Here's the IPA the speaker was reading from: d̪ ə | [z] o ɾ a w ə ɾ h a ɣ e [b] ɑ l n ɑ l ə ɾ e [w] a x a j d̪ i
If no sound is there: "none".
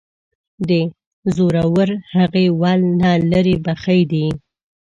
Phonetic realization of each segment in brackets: z, w, b

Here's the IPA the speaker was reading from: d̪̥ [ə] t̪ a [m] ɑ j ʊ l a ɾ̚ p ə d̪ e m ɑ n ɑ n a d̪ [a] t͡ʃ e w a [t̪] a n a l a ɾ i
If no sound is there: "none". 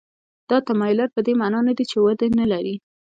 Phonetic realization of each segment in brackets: ɑ, m, i, d̪

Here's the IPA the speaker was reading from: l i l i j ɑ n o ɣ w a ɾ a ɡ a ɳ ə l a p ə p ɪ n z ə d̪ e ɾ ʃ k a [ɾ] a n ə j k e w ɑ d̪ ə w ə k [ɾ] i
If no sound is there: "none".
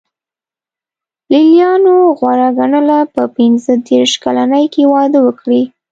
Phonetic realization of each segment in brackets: l, ɽ

